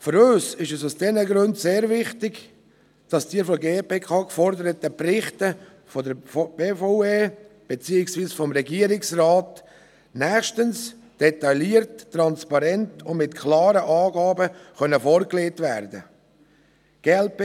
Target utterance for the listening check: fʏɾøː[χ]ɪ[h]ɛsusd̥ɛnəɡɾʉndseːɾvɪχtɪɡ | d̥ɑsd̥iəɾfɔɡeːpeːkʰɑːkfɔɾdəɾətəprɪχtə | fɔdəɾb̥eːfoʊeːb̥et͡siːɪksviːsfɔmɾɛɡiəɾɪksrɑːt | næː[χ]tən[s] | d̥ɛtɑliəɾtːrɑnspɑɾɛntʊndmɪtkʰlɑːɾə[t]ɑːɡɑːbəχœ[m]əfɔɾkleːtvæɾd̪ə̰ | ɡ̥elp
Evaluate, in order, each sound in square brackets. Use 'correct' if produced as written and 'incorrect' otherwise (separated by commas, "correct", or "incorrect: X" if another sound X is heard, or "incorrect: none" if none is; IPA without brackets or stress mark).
incorrect: s, incorrect: ʃ, incorrect: ʃ, correct, incorrect: ʔ, incorrect: n